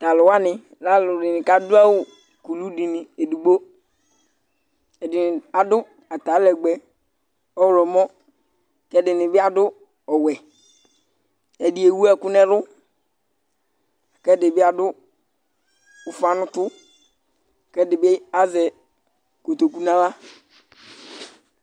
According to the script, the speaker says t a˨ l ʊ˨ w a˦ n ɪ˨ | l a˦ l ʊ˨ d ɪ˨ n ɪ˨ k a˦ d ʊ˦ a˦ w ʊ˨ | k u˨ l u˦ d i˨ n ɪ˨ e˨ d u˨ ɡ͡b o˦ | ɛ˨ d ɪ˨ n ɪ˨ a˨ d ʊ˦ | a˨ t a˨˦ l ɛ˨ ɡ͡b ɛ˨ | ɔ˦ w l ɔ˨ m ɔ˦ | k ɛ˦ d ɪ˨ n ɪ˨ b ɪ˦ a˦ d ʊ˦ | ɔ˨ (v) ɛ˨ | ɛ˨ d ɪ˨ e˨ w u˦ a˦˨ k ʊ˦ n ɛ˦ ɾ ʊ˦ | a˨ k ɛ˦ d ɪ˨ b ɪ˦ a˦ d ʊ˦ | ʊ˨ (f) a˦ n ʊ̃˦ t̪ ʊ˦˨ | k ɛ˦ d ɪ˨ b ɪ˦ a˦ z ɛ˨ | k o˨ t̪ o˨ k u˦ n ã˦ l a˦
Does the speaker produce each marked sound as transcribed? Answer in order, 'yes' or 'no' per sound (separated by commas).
no, yes